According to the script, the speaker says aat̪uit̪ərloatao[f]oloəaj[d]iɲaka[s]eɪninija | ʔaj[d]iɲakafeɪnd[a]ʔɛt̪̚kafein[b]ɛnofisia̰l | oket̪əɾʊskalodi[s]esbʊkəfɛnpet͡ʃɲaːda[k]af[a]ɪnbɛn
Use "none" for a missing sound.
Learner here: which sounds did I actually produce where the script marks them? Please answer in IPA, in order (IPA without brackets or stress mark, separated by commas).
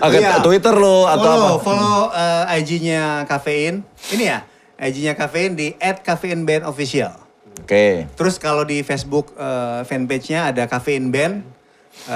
f, d͡ʒ, f, d͡ʒ, i, b, f, k, e